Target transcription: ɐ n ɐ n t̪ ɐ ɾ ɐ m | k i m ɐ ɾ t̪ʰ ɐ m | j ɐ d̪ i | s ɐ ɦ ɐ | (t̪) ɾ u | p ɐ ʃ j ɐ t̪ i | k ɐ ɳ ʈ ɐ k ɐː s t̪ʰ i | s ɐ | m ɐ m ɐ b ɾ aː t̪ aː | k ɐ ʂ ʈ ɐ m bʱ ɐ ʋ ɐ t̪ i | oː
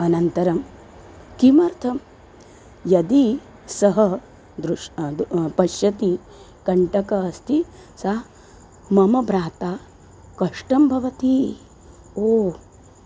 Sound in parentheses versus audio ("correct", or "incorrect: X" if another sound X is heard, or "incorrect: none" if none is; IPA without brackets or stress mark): incorrect: d̪